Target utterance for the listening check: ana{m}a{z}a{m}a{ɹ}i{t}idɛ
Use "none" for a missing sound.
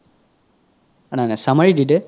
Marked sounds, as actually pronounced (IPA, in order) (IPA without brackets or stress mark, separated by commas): n, s, m, ɹ, d